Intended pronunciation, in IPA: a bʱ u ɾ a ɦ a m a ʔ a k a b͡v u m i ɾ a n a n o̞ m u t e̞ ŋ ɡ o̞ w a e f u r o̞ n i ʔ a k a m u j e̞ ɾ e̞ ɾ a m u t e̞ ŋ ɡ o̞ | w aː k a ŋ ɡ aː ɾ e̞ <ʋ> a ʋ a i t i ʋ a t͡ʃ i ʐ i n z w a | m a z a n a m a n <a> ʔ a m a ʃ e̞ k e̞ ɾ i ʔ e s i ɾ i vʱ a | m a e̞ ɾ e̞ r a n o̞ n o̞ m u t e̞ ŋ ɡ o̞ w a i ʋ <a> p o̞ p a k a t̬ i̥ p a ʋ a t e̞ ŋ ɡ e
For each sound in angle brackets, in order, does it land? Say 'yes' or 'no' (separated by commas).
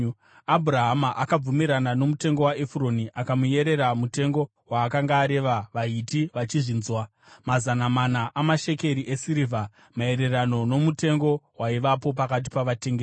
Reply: yes, yes, yes